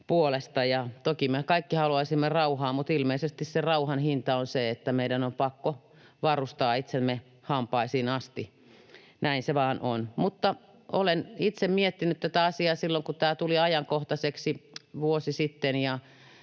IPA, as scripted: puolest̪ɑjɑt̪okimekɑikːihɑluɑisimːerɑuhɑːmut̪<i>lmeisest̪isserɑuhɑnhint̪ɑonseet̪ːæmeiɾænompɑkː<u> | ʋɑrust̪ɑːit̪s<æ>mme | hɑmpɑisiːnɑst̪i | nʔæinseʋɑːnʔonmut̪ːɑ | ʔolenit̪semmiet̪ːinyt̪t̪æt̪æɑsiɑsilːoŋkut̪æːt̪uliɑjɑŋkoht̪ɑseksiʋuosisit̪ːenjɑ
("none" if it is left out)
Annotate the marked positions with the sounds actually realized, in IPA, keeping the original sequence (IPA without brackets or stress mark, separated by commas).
i, o, e